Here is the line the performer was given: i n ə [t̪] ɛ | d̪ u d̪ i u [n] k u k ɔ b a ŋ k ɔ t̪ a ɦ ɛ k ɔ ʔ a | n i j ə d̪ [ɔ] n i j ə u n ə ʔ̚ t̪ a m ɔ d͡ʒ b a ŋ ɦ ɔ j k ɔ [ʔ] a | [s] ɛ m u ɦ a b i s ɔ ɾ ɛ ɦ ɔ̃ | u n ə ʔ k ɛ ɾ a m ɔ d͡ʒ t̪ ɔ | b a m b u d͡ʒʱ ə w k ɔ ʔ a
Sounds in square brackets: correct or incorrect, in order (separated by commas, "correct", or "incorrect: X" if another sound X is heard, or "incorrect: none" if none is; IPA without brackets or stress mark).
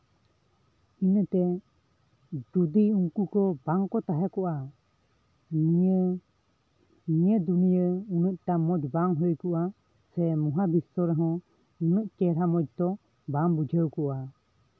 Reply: correct, incorrect: ŋ, incorrect: u, correct, correct